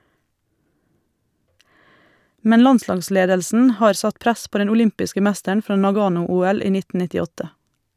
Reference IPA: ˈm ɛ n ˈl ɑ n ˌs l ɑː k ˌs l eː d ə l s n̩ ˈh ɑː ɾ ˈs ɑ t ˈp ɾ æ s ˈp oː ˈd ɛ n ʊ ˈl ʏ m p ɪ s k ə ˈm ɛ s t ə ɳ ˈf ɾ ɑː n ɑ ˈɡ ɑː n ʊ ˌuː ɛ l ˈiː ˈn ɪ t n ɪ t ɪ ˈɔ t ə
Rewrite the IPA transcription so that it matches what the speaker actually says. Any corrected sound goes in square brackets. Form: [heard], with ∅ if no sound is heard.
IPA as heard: ˈm ɛ n ˈl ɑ n ˌs l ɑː [ɡ] ˌs l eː d ə l s n̩ ˈh ɑː ɾ ˈs ɑ t ˈp ɾ æ s ˈp oː ˈd ɛ n ʊ ˈl ʏ m p ɪ s k ə ˈm [æ] s t ə ɳ ˈf ɾ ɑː n ɑ ˈɡ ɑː n ʊ ˌuː ɛ l ˈiː ˈn ɪ t n ɪ t ɪ ˈɔ t ə